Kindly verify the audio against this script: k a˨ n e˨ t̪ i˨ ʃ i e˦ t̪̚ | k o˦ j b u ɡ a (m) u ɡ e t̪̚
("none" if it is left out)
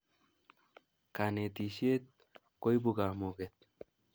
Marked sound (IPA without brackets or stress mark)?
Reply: m